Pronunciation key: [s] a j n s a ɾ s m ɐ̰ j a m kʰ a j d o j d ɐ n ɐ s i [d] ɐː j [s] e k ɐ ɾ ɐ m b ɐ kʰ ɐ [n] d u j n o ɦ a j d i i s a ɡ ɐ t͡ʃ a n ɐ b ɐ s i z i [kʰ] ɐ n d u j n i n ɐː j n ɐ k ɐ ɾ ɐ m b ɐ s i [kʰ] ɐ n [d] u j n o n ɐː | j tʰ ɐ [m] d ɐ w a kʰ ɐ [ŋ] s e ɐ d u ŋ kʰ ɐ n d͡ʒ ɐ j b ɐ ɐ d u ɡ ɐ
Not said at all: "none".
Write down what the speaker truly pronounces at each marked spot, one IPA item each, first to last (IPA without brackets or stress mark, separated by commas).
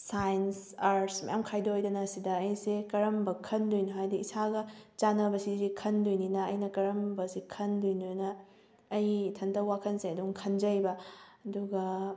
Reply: s, d, s, n, kʰ, kʰ, d, n, n